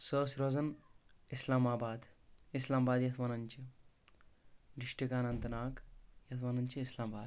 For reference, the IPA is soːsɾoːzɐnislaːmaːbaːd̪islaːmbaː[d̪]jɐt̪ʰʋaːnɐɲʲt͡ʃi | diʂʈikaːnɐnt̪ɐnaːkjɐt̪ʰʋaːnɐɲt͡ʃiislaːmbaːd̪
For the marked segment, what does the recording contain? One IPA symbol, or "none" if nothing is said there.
d̪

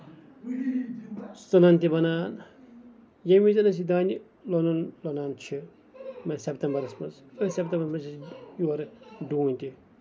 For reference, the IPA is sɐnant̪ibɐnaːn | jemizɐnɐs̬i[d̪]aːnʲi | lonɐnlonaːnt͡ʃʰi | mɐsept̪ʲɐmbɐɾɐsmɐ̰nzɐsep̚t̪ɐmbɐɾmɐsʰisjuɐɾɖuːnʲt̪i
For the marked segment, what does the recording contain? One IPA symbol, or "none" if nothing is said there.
d̪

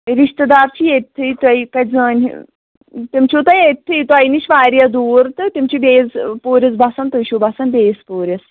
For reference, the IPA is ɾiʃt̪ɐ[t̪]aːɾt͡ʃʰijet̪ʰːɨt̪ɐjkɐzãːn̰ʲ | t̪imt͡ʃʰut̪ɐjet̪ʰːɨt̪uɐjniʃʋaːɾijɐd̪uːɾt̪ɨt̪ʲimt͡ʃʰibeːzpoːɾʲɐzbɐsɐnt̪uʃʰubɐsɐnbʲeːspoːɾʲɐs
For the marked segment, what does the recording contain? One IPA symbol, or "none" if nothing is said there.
d̪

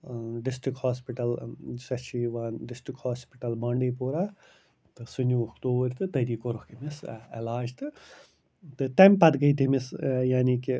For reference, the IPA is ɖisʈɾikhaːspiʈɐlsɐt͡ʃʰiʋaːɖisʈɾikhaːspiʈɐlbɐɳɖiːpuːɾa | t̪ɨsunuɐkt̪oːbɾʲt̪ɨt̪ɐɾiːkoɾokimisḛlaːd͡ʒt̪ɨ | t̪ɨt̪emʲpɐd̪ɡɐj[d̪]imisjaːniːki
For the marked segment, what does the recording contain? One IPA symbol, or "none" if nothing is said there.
t̪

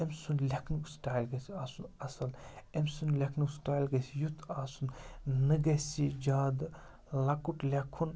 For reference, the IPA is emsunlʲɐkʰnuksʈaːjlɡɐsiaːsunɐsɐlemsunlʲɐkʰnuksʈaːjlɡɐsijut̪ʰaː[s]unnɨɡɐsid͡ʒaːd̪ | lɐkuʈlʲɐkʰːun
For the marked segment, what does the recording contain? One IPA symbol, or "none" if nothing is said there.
s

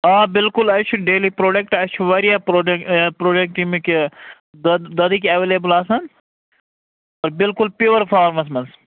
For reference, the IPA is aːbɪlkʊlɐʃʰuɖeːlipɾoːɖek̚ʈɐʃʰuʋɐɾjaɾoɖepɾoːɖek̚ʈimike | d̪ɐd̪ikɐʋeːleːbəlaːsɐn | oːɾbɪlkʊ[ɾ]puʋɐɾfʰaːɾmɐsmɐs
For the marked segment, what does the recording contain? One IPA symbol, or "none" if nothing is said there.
l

